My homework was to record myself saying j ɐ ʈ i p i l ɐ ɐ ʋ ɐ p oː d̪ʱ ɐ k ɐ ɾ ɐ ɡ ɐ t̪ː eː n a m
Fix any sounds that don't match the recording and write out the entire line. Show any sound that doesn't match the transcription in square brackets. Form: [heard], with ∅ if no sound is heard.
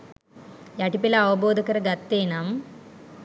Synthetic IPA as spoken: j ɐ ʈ i p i l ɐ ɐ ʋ ɐ [b] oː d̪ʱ ɐ k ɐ ɾ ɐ ɡ ɐ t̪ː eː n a m

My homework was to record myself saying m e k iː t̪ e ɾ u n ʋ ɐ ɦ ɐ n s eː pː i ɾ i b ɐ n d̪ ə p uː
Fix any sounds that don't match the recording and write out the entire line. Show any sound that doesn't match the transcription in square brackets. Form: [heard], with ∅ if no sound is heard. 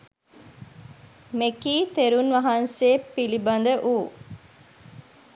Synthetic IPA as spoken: m e k iː t̪ e ɾ u n ʋ ɐ ɦ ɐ n s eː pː i [l] i b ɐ n d̪ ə [ʔ] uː

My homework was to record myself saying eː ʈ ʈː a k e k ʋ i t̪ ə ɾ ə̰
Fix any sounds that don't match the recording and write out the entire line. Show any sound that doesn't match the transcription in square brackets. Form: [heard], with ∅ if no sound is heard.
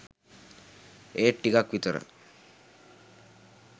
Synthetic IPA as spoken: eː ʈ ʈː [i] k [a] k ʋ i t̪ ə ɾ ə̰

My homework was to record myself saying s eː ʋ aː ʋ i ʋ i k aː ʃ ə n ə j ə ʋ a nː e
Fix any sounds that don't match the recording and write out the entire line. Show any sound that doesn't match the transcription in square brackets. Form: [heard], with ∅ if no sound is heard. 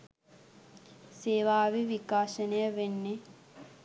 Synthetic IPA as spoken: s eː ʋ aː ʋ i ʋ i k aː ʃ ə n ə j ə ʋ [e] nː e

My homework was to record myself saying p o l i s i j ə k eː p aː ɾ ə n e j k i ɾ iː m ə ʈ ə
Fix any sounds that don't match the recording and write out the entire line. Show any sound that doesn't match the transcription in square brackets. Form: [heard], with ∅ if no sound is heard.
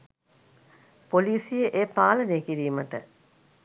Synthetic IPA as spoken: p o l [iː] s i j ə [ʔ] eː p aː [l] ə n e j k i ɾ iː m ə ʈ ə

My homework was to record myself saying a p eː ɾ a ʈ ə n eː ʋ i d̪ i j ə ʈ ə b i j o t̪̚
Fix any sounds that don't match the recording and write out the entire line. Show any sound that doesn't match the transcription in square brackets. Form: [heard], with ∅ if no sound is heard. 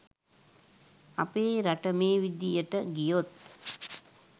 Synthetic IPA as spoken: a p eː ɾ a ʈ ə [m] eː ʋ i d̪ i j ə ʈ ə [ɡ] i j o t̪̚

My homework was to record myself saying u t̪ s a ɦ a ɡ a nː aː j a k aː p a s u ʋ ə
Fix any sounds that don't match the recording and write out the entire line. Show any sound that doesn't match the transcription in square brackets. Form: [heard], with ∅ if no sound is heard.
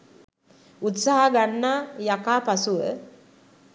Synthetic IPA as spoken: u t̪ s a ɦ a ɡ a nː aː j a k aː p a s u ʋ ə

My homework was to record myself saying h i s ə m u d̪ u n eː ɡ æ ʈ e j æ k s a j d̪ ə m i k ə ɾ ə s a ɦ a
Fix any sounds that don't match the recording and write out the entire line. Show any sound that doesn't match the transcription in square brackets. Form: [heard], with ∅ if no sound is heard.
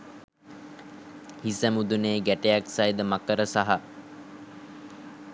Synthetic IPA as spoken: h i s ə m u d̪ u n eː ɡ æ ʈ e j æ k s a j d̪ ə m [a] k ə ɾ ə s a ɦ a

